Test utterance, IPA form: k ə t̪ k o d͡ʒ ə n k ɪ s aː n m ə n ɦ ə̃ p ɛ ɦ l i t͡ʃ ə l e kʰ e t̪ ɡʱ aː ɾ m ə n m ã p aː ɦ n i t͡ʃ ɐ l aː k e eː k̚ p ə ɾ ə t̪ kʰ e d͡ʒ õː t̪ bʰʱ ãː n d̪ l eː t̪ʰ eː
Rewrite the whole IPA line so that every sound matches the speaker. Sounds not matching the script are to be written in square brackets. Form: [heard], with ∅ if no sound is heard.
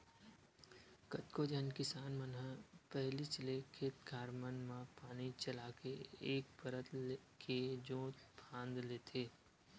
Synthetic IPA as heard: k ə t̪ k o d͡ʒ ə n k ɪ s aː n m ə n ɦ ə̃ p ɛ ɦ l i t͡ʃ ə l e kʰ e t̪ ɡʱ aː ɾ m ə n m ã p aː [∅] n i t͡ʃ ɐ l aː k e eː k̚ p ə ɾ ə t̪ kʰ e d͡ʒ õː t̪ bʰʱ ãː n d̪ l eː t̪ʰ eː